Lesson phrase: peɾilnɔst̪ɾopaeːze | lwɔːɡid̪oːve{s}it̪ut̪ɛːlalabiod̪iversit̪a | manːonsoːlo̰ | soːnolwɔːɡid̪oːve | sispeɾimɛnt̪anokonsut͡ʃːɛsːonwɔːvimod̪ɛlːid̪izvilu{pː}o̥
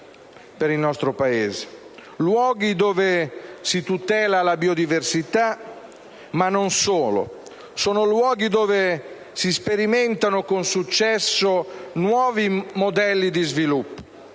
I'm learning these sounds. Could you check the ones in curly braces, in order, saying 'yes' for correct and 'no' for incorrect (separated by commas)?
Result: yes, yes